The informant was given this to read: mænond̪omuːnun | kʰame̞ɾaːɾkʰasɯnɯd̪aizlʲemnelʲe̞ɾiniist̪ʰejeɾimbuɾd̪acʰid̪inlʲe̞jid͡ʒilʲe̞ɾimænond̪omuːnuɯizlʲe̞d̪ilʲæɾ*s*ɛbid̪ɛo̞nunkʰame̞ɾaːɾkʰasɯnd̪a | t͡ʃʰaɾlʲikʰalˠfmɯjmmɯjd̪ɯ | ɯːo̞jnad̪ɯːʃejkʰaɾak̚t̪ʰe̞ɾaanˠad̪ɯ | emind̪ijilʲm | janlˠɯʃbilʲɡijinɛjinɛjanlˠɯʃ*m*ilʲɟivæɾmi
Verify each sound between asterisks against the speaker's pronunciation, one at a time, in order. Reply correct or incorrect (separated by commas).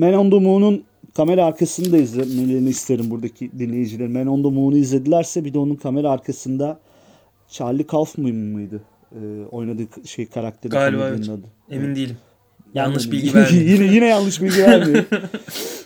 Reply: correct, incorrect